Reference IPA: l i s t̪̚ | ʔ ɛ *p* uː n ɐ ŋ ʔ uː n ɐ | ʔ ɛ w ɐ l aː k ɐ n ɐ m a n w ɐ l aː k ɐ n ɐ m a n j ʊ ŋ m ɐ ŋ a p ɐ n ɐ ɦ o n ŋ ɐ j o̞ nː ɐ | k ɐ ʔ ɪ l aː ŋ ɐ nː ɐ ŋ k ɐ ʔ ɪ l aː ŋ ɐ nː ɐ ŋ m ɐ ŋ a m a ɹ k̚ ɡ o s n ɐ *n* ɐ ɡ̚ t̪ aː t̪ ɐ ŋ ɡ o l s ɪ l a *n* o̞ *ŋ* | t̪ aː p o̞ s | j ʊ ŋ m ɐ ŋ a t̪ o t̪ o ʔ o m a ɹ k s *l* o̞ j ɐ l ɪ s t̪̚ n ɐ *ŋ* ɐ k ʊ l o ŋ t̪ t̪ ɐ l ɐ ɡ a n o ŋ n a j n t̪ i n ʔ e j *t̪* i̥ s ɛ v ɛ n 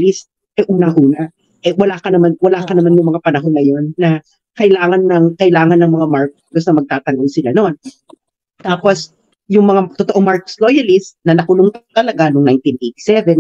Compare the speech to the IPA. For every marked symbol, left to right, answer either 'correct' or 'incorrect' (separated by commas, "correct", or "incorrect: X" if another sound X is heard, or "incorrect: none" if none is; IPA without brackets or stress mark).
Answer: incorrect: ʔ, incorrect: m, correct, incorrect: n, correct, incorrect: n, correct